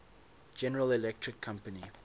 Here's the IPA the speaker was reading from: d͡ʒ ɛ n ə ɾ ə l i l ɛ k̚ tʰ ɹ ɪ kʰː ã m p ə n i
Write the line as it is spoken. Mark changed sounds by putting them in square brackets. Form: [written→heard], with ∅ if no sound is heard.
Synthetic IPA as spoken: d͡ʒ ɛ n ə [ɾ→ɹ] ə l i l ɛ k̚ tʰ ɹ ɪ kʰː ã m p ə n i

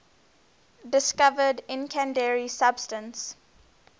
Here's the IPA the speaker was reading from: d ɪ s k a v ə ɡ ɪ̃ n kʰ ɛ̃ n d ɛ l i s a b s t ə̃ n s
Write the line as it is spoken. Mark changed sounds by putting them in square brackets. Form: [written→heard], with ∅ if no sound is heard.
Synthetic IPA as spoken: d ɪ s k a v ə [ɡ→d] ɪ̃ n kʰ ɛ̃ n d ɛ [l→ɹ] i s a b s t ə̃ n s

